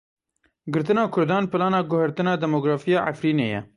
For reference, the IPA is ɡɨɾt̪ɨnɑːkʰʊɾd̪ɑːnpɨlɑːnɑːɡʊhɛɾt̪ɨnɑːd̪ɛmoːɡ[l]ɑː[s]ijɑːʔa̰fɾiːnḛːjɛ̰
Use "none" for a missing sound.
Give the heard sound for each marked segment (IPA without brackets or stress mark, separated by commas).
ɾ, f